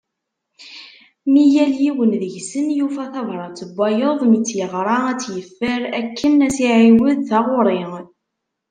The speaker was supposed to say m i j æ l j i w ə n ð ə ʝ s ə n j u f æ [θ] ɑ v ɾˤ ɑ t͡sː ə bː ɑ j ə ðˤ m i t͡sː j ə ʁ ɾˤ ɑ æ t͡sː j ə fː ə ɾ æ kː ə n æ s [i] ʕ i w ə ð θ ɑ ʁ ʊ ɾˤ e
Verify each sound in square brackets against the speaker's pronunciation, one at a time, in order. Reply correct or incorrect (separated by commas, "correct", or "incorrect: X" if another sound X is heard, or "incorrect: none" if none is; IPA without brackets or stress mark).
correct, correct